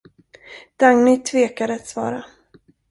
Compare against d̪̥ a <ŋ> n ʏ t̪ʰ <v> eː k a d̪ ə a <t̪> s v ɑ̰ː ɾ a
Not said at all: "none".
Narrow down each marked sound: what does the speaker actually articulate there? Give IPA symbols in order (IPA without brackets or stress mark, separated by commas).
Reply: ŋ, v, t̪